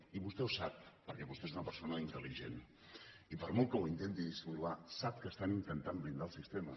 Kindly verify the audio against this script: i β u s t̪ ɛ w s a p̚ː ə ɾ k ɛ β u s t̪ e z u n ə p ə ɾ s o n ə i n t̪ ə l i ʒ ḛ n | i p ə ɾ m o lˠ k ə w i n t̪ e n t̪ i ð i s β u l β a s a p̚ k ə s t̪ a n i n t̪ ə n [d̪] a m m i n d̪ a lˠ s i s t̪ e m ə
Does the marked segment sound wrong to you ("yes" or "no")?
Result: yes